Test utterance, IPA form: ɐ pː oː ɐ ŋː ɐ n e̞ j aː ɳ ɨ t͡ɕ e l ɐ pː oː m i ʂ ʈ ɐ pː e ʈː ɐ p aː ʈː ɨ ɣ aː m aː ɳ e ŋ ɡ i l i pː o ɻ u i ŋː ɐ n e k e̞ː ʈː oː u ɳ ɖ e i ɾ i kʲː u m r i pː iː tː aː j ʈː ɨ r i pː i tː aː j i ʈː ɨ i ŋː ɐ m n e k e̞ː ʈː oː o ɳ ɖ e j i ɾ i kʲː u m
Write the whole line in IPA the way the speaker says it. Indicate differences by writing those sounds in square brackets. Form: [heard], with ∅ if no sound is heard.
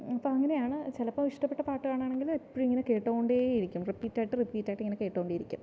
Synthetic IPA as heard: ɐ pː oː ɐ ŋː ɐ n e̞ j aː ɳ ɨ t͡ɕ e l ɐ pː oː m i ʂ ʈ ɐ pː e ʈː ɐ p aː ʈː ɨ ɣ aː [ɳ] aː ɳ e ŋ ɡ i l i pː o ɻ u i ŋː ɐ n e k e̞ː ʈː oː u ɳ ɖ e i ɾ i kʲː u m r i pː iː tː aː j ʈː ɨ r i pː [iː] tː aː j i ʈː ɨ i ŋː ɐ [∅] n e k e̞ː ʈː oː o ɳ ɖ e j i ɾ i kʲː u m